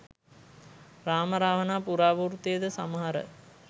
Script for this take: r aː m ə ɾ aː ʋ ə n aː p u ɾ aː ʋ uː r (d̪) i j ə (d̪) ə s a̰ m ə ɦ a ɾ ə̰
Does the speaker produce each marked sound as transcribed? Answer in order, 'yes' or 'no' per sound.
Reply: no, yes

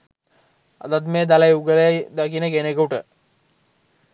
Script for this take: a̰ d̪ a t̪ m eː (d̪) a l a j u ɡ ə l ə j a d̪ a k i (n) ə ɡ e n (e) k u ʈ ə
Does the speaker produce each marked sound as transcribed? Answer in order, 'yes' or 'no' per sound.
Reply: yes, yes, yes

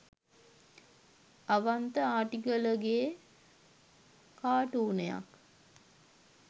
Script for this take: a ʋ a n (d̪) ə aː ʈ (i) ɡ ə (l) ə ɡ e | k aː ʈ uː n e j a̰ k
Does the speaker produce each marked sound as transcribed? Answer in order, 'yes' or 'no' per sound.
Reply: no, yes, yes

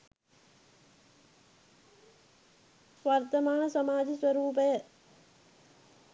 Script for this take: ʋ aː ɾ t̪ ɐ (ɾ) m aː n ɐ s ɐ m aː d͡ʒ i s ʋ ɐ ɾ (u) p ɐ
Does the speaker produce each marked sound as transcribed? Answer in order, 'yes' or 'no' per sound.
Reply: no, no

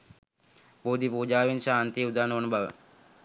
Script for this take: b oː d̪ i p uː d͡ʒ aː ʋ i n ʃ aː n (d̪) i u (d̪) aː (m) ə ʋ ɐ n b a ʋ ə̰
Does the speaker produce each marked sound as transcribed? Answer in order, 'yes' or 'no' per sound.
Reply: no, yes, no

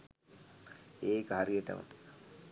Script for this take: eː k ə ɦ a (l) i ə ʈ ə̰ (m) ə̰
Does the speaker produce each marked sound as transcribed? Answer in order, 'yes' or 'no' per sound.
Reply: no, yes

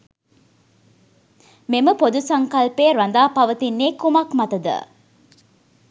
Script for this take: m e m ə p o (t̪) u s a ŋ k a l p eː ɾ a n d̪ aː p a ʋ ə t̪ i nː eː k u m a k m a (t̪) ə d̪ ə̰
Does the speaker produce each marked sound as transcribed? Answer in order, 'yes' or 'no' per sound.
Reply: no, yes

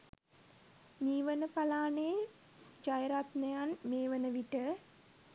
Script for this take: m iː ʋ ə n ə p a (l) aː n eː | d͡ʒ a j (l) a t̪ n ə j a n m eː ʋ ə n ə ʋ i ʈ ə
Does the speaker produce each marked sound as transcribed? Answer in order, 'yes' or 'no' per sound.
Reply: yes, no

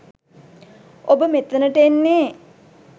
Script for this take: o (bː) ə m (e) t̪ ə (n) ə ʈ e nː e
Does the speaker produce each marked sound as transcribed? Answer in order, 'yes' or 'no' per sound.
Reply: no, yes, yes

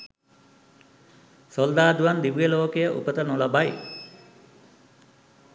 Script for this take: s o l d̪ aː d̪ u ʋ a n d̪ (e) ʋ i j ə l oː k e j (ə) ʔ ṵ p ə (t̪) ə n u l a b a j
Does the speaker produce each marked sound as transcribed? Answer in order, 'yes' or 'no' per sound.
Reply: no, yes, yes

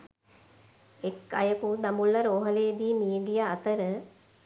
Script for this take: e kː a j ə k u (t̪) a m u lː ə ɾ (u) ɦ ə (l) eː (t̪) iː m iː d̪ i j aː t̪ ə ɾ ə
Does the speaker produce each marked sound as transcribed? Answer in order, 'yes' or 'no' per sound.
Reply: no, no, yes, no

